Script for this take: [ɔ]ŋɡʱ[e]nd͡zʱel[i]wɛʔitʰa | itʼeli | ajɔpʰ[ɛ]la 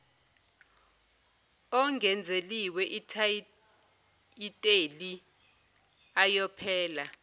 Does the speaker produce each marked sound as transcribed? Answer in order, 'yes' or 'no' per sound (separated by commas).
yes, no, yes, no